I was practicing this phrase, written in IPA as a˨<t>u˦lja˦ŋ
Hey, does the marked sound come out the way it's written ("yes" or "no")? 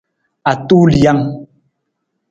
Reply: yes